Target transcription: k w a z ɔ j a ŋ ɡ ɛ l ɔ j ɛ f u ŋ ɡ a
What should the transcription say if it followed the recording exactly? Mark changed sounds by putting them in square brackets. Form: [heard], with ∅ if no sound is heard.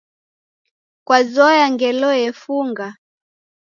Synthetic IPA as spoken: k w a z ɔ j a ŋ ɡ ɛ l ɔ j ɛ f u ŋ ɡ a